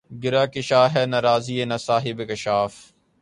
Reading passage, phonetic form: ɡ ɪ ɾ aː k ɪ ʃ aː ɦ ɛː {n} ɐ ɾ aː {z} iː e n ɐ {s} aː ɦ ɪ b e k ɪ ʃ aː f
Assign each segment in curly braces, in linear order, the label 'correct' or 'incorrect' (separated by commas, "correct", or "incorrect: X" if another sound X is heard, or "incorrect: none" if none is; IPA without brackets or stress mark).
correct, correct, correct